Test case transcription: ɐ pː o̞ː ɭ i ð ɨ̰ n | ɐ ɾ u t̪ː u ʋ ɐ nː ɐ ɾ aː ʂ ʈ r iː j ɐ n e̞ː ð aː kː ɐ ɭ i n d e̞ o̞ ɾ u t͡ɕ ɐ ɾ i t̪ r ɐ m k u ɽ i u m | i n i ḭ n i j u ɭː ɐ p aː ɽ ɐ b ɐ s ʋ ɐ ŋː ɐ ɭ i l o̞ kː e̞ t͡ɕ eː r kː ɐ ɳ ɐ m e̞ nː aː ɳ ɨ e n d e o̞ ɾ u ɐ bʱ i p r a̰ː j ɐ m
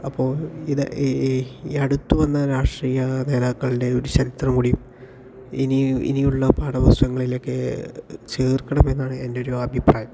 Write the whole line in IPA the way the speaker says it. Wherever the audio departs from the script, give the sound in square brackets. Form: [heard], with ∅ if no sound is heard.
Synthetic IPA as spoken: ɐ pː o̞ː ɭ i ð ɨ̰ [∅] | ɐ [ɽ] u t̪ː u ʋ ɐ nː ɐ ɾ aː ʂ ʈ r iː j ɐ n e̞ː ð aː kː ɐ ɭ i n d e̞ o̞ ɾ u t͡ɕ ɐ ɾ i t̪ r ɐ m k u ɽ i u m | i n i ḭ n i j u ɭː ɐ p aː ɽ ɐ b ɐ s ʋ ɐ ŋː ɐ ɭ i l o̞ kː e̞ t͡ɕ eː r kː ɐ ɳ ɐ m e̞ nː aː ɳ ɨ e n d e o̞ ɾ u ɐ bʱ i p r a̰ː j ɐ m